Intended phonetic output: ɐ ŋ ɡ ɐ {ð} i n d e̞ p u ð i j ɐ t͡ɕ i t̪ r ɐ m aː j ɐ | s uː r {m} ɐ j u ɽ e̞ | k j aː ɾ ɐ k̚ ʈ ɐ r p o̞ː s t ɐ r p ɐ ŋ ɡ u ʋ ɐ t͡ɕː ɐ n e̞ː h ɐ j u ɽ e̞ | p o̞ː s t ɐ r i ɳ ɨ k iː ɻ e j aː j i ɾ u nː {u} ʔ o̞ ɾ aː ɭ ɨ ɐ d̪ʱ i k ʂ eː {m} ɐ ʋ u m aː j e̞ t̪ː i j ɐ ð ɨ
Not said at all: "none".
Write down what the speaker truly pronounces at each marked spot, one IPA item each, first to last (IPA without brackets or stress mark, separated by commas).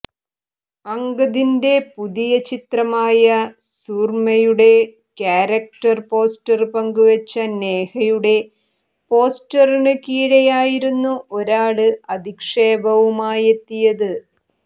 ð, m, u, b